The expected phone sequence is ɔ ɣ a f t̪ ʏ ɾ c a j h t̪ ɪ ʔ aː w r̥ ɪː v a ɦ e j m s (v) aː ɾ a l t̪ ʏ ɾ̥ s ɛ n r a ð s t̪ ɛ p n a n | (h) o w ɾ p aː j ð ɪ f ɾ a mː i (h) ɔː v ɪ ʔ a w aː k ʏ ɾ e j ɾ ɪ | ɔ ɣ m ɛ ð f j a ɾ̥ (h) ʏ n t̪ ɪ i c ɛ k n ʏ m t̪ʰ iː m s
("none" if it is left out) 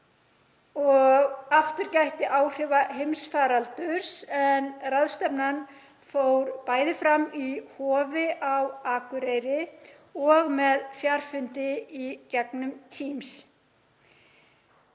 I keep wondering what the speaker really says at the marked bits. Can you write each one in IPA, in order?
f, f, h, f

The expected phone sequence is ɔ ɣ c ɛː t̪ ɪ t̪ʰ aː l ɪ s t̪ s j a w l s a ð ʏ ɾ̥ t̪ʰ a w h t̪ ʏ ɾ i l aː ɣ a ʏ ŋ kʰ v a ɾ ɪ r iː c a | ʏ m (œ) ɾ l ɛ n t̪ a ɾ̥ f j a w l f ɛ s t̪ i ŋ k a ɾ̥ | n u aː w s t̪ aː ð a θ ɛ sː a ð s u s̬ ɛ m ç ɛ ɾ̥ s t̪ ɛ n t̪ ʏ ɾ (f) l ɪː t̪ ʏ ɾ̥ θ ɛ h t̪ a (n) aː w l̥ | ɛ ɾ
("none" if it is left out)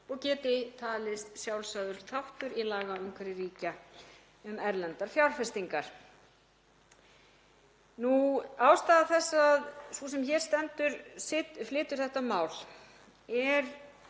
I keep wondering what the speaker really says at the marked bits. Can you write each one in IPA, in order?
ɛ, f, m

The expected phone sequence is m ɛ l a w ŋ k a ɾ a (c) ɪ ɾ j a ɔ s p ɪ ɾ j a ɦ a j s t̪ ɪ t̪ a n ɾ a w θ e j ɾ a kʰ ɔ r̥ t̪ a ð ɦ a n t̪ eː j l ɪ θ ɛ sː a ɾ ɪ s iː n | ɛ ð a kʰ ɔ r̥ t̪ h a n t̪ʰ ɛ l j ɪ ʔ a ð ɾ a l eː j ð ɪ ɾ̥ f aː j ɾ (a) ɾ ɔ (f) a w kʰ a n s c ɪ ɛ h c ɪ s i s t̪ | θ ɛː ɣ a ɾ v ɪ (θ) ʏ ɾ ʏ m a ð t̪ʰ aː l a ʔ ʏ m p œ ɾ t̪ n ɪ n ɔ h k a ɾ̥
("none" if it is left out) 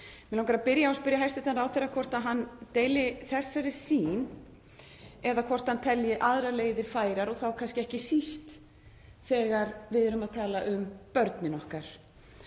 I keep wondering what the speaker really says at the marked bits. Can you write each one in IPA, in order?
p, a, θ, ð

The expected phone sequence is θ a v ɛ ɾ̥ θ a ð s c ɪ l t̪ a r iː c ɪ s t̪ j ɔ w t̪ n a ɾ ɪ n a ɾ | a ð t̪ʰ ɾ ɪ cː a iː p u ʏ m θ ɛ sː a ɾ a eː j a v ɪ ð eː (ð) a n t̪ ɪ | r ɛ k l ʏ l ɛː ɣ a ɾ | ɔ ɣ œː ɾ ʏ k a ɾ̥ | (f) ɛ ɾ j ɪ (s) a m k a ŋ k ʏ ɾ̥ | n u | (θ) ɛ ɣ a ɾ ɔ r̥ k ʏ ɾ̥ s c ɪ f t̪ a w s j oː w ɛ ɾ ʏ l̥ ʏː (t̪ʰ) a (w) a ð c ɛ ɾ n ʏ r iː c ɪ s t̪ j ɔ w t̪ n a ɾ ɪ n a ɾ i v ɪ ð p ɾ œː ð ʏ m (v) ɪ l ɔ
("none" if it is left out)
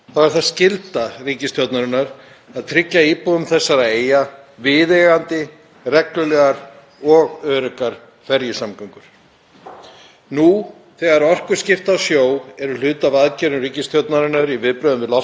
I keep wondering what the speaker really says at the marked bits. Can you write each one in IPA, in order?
ɣ, f, s, θ, t̪, v, v

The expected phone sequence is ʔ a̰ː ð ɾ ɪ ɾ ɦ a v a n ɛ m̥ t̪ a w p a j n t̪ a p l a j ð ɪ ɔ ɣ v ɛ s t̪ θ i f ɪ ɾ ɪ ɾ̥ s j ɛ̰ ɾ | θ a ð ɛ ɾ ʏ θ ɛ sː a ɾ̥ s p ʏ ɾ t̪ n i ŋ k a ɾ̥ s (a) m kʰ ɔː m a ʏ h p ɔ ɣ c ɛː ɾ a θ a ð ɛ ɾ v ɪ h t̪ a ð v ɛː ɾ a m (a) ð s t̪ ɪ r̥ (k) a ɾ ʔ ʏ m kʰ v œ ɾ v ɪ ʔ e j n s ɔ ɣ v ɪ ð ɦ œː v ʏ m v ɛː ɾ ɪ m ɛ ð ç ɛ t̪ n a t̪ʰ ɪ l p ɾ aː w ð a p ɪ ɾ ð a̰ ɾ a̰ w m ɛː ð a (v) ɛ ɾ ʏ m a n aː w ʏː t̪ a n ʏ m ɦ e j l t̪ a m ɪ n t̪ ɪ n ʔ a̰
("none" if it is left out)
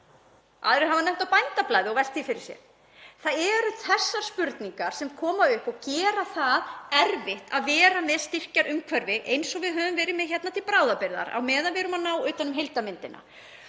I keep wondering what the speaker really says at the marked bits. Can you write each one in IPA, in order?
ɛ, ɛ, c, v

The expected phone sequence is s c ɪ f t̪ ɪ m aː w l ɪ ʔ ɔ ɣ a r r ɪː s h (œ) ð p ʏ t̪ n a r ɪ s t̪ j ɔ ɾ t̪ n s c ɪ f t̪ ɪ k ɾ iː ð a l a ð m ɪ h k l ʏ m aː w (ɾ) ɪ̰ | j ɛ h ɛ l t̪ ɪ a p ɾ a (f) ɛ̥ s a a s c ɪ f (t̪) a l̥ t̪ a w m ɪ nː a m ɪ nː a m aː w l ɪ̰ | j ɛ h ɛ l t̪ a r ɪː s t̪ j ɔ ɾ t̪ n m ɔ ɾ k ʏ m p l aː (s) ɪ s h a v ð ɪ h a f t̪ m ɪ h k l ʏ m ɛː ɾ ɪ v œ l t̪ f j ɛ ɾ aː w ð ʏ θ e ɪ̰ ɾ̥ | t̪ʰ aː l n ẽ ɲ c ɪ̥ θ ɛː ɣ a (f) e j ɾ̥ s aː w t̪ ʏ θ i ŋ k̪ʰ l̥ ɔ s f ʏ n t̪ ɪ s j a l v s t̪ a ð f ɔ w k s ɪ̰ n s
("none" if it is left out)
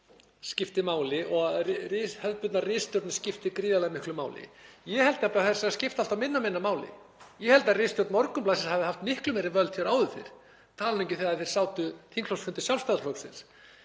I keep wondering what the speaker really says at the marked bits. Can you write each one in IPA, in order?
œ, l, θ, t̪, s, θ

